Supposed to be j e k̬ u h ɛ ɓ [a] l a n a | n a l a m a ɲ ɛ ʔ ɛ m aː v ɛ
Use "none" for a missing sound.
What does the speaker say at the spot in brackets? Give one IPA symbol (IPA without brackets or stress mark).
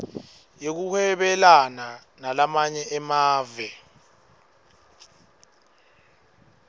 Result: ɛ